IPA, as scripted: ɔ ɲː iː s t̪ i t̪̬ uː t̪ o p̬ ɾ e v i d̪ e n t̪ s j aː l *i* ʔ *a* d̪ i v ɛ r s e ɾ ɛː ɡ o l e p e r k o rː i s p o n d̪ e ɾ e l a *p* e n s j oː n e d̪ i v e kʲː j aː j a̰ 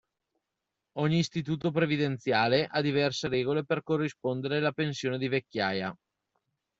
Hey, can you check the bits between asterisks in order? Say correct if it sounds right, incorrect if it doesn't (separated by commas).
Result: incorrect, correct, correct